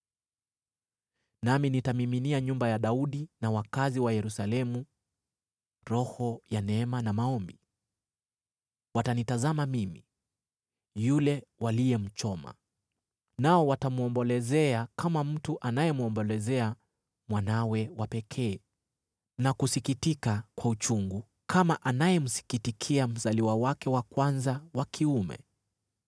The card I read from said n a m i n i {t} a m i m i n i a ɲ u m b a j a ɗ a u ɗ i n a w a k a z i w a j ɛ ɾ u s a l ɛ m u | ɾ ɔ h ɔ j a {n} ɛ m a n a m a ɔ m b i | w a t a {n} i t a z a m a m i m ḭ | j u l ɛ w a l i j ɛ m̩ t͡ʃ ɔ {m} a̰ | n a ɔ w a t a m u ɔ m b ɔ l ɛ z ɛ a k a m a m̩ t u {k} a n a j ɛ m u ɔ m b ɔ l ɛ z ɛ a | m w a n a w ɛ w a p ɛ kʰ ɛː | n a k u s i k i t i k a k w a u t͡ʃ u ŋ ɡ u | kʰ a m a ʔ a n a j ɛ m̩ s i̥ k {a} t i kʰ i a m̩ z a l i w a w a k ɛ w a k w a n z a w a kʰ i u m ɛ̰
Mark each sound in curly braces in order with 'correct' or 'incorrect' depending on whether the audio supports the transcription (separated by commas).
correct, correct, correct, correct, incorrect, incorrect